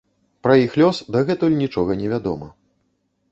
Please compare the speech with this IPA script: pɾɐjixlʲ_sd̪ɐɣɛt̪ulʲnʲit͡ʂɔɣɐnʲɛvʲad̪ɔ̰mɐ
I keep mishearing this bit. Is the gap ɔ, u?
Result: ɔ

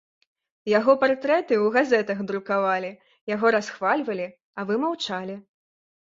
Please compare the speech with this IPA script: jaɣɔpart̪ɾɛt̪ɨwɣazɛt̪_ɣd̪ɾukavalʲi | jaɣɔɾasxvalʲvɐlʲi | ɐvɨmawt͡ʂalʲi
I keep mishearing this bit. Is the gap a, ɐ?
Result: ɐ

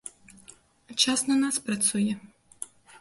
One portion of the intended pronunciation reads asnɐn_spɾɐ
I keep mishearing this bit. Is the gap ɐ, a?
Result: a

